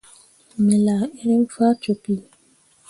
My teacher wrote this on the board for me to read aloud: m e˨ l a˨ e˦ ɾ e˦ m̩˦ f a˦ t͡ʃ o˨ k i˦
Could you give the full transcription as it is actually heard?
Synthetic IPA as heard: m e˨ l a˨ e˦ ɾ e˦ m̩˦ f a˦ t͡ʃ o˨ p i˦